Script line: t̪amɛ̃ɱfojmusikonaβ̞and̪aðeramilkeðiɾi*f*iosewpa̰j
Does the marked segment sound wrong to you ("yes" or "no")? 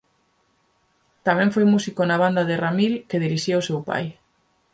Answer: yes